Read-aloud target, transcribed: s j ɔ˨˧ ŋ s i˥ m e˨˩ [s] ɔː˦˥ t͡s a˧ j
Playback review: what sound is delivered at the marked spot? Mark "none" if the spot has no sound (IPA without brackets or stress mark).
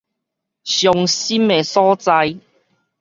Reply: s